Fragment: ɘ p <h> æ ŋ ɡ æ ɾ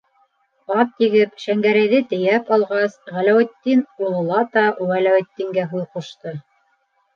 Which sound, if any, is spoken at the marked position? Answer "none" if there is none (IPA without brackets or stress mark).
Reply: ʃ